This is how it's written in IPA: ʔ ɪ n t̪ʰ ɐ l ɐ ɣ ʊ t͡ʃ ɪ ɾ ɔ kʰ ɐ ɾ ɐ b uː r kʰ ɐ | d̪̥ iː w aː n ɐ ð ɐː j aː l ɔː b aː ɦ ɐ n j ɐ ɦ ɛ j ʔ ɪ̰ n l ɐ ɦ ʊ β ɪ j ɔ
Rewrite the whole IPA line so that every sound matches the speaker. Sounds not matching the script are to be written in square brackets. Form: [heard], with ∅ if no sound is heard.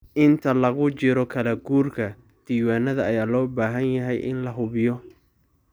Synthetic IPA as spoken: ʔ ɪ n t̪ʰ ɐ l ɐ ɣ ʊ t͡ʃ ɪ ɾ ɔ kʰ ɐ [l] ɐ [ɡ] uː r kʰ ɐ | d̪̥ iː w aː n ɐ ð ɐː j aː l ɔː b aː ɦ ɐ n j ɐ ɦ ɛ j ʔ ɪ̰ n l ɐ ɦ ʊ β ɪ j ɔ